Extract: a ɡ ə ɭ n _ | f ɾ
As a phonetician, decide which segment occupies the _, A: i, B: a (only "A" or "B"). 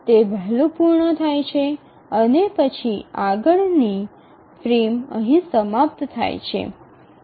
A